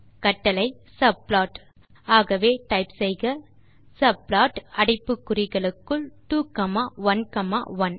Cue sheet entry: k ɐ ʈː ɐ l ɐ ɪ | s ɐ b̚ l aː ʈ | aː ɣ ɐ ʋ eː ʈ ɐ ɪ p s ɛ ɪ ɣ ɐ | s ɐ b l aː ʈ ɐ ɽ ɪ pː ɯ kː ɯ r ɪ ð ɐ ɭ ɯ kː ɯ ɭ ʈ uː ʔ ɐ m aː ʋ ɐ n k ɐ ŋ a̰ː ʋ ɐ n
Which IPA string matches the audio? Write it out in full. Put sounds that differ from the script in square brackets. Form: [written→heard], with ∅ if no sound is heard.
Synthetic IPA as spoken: k ɐ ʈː ɐ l ɐ ɪ | s ɐ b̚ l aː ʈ | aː ɣ ɐ ʋ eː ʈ ɐ ɪ p s ɛ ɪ ɣ ɐ | s ɐ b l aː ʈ ɐ ɽ ɪ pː ɯ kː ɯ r ɪ [ð→ɣ] ɐ ɭ ɯ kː ɯ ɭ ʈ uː [ʔ→k] ɐ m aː ʋ ɐ n k ɐ [ŋ→m] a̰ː ʋ ɐ n